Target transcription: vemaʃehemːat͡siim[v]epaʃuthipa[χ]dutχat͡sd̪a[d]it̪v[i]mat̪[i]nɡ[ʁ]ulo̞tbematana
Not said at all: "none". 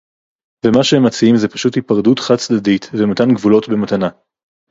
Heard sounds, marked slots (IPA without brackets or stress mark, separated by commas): z, ʁ, d, e, a, v